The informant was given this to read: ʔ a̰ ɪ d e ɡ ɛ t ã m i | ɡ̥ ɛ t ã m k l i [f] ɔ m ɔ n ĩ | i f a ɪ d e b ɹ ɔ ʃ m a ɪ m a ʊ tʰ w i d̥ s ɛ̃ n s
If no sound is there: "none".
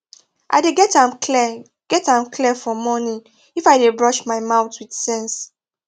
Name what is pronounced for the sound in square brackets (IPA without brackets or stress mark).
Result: f